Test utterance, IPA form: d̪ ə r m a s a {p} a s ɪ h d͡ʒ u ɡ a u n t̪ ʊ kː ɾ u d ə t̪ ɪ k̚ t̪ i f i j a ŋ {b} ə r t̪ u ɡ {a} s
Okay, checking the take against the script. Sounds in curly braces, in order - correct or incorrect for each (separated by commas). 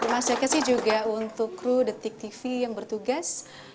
incorrect, correct, correct